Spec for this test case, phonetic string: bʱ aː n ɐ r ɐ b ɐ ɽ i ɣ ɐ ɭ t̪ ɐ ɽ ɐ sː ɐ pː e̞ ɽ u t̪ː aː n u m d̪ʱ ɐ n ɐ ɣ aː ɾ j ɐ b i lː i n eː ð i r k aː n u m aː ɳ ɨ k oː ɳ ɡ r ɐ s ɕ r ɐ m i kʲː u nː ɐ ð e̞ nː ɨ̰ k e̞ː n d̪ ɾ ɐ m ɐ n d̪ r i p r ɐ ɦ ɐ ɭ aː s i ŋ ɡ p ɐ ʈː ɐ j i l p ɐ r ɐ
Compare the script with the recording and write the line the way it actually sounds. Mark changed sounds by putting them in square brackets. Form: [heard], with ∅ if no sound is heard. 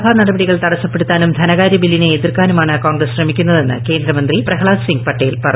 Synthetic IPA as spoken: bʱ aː n ɐ [ɽ] ɐ b ɐ ɽ i ɣ ɐ ɭ t̪ ɐ ɽ ɐ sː ɐ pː e̞ ɽ u t̪ː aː n u m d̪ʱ ɐ n ɐ ɣ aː ɾ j ɐ b i lː i n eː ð i r k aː n u m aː ɳ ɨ k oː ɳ ɡ r ɐ s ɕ r ɐ m i kʲː u nː ɐ ð e̞ nː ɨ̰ k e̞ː n d̪ ɾ ɐ m ɐ n d̪ r i p r ɐ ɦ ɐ ɭ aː s i ŋ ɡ p ɐ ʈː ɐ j i l p ɐ r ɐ